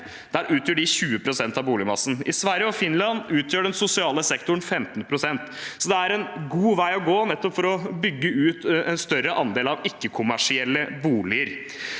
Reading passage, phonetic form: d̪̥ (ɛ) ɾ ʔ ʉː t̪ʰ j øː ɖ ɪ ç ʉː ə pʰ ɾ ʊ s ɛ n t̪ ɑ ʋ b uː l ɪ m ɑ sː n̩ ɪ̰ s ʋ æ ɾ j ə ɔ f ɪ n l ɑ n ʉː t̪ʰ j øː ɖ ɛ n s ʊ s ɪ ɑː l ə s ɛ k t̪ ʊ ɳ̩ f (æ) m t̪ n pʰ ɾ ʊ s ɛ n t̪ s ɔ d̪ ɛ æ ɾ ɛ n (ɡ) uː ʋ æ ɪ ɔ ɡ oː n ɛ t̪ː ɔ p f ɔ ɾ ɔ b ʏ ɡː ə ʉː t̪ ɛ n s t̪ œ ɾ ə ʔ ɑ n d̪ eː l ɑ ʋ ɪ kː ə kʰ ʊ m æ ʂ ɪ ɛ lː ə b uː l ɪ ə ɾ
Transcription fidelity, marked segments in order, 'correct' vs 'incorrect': incorrect: æ, incorrect: ɛ, correct

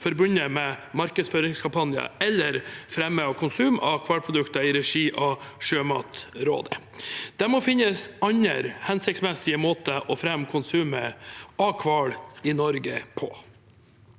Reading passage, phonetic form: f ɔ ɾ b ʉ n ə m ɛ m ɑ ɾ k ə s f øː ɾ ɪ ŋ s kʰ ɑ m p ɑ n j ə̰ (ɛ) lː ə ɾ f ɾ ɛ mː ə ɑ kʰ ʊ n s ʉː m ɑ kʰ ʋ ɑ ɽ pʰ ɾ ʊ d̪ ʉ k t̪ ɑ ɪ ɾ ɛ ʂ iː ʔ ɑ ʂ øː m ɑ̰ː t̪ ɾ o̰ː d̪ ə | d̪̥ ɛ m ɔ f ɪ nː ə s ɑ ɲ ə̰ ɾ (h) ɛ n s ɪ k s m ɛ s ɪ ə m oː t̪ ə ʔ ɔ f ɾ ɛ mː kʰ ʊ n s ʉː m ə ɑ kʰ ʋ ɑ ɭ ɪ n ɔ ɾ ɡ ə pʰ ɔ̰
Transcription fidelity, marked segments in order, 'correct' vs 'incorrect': correct, correct

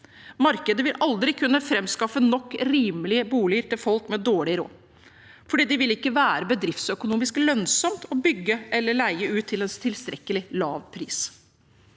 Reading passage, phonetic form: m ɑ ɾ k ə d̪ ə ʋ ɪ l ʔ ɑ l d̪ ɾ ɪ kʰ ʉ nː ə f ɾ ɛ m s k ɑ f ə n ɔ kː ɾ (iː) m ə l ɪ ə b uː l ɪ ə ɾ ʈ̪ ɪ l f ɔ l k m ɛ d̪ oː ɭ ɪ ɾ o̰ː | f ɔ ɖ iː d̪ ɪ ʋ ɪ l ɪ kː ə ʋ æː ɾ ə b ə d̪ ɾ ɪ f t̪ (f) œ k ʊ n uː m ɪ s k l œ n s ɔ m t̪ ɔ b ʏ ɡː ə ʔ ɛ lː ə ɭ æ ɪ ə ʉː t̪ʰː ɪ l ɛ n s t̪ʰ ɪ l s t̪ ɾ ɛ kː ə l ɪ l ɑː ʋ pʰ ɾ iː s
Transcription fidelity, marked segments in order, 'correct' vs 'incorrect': correct, incorrect: s

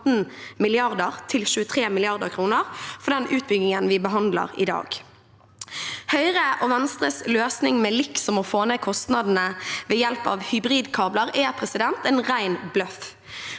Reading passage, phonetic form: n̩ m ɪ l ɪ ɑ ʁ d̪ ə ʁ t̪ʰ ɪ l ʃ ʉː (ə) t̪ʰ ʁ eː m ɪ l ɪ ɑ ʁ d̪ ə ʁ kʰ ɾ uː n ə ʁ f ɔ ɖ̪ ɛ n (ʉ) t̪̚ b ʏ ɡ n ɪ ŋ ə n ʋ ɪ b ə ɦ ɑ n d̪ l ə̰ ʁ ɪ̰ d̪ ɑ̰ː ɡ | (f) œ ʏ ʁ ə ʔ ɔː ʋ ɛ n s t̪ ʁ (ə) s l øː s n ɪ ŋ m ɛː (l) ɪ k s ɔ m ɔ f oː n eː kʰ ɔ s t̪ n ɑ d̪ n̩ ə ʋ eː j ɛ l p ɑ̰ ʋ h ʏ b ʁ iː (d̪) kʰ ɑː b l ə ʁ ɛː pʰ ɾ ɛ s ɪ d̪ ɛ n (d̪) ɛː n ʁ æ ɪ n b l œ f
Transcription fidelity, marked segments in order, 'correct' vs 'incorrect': correct, incorrect: ʉː, incorrect: h, correct, correct, correct, incorrect: t̪

